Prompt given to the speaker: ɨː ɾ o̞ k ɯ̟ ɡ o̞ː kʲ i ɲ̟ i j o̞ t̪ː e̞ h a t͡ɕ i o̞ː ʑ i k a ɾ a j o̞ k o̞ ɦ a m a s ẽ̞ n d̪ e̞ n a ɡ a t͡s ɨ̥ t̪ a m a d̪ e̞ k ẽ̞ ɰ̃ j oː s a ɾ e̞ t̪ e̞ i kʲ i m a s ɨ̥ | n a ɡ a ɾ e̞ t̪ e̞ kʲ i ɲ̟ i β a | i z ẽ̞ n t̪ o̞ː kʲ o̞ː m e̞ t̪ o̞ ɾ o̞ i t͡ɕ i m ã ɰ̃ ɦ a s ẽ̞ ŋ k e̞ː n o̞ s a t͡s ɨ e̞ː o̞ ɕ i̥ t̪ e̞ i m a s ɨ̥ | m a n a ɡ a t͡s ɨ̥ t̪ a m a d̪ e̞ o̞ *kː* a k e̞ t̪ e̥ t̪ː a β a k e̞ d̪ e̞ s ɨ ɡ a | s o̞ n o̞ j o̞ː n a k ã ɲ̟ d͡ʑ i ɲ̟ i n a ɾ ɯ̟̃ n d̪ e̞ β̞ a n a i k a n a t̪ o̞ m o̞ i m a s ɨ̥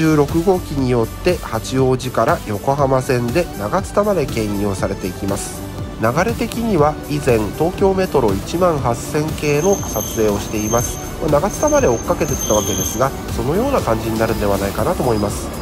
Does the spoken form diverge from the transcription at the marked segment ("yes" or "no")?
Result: no